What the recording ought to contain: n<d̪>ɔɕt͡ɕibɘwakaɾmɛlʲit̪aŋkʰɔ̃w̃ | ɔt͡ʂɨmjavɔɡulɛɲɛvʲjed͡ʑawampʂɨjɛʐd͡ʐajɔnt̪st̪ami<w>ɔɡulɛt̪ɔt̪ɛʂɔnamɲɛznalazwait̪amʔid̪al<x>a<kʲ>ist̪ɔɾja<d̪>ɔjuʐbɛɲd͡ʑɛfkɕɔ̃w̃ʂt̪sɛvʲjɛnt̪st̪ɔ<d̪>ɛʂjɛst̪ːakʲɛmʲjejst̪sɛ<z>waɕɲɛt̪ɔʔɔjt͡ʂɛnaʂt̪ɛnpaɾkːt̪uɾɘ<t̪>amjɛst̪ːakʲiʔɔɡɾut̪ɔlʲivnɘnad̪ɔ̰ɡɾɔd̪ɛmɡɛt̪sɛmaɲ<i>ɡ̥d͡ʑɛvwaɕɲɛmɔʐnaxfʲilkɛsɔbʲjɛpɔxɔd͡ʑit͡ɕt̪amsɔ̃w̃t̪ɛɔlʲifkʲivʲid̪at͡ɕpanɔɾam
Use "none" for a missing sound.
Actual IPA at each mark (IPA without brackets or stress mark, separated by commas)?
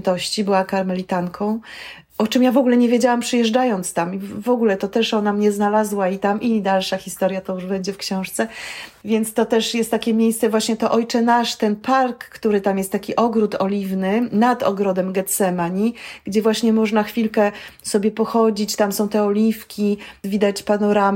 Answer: t̪, v, ʂ, xʲ, t̪, t̪, v, t̪, i